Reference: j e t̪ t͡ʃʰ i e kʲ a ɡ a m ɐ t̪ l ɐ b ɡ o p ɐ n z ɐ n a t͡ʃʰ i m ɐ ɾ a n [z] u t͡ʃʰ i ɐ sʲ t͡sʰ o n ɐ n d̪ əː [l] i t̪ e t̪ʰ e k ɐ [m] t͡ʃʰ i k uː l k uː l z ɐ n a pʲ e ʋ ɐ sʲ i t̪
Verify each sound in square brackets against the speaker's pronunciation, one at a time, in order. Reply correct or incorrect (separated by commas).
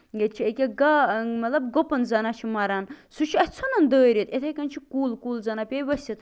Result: incorrect, incorrect, incorrect